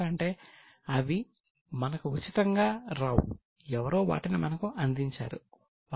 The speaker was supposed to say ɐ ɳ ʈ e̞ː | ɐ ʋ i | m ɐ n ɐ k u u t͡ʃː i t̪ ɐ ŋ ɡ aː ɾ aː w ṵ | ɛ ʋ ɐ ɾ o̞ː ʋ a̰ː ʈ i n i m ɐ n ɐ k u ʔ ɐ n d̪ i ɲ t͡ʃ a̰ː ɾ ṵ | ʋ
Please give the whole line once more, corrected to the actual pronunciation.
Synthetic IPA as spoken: ɐ ɳ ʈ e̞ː | ɐ ʋ i | m ɐ n ɐ k u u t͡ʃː i t̪ ɐ ŋ ɡ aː ɾ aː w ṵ | ɛ ʋ ɐ ɾ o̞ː ʋ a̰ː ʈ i n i m ɐ n ɐ k u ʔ ɐ n d̪ i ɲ t͡ʃ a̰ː ɾ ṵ | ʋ